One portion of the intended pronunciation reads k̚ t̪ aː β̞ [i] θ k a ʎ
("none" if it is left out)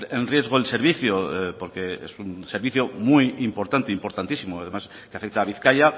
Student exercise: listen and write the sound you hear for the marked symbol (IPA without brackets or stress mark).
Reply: i